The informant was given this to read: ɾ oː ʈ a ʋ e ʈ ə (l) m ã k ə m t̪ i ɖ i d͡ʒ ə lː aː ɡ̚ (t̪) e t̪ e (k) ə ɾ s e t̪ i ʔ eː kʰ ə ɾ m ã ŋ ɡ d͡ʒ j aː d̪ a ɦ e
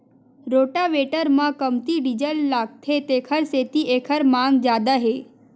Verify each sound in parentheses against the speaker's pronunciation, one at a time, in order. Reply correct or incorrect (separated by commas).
incorrect, incorrect, incorrect